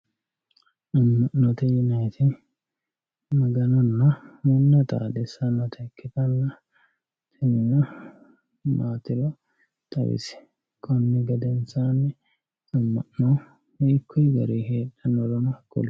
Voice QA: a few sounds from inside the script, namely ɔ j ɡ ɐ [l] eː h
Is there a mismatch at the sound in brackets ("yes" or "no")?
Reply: yes